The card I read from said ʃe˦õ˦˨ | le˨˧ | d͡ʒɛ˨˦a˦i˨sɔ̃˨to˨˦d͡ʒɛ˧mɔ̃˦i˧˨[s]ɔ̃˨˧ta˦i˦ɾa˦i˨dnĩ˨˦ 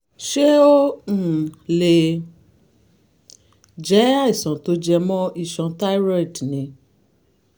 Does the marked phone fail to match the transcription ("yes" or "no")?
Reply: yes